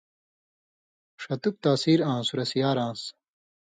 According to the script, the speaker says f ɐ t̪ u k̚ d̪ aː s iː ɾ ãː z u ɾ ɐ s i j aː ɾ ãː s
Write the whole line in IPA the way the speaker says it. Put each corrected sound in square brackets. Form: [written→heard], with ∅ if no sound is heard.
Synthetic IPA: [f→ʂ] ɐ t̪ u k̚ [d̪→t̪] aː s iː ɾ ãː [z→s] u ɾ ɐ s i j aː ɾ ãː s